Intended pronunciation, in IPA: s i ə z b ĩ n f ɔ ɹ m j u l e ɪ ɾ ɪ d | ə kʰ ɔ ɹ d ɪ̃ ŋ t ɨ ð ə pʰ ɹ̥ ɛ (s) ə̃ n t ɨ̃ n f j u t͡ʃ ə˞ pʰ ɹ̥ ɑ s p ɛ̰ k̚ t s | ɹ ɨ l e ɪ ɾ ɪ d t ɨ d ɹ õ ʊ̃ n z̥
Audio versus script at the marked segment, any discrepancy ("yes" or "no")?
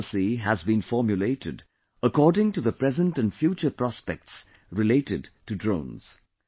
yes